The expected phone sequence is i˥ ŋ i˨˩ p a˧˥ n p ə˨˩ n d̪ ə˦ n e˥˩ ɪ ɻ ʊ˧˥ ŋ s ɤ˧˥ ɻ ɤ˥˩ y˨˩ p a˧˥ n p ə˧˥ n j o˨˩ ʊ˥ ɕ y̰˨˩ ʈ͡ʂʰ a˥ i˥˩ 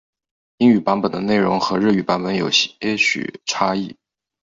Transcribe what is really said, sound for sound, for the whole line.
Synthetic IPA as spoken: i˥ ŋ y˨˩ p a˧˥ n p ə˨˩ n d̪ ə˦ n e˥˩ ɪ ɻ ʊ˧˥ ŋ x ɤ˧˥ ɻ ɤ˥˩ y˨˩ p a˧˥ n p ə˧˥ n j o˨˩ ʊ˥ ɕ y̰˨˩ ʈ͡ʂʰ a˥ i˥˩